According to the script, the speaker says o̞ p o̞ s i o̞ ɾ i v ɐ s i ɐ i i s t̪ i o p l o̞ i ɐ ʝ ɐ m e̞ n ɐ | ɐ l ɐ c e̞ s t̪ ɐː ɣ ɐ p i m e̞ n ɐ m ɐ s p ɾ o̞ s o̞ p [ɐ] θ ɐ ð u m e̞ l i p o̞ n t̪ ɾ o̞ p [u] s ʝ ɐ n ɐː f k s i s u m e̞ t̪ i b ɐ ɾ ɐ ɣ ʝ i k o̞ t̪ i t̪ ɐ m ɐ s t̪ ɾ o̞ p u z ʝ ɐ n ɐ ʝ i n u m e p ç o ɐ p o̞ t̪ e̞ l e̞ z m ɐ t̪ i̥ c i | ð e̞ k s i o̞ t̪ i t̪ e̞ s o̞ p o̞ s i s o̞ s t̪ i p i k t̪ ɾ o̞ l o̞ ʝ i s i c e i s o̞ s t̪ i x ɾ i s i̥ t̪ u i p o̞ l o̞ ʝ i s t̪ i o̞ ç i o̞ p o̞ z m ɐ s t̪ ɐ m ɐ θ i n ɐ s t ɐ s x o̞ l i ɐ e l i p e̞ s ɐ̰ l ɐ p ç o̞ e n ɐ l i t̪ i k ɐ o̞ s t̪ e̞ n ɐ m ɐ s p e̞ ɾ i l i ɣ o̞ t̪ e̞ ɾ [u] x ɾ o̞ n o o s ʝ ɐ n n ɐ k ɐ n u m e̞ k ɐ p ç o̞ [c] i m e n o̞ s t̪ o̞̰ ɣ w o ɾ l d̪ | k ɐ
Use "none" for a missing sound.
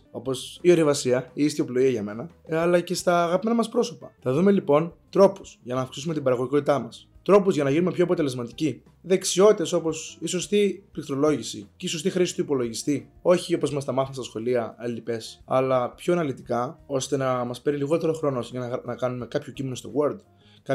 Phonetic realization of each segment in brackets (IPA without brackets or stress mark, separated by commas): ɐ, u, o, c